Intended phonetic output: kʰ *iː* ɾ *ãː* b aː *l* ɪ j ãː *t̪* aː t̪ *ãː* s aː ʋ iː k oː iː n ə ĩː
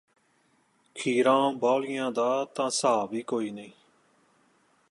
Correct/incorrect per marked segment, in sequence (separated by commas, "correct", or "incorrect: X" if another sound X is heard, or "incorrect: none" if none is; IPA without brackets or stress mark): correct, correct, correct, incorrect: d̪, correct